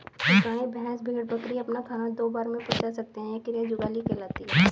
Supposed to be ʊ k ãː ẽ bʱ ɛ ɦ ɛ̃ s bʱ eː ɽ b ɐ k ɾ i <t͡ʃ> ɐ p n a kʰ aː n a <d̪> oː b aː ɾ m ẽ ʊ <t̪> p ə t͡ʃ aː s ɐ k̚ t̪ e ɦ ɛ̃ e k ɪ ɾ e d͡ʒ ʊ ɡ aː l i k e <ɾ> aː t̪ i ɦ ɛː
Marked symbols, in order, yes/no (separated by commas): no, yes, no, no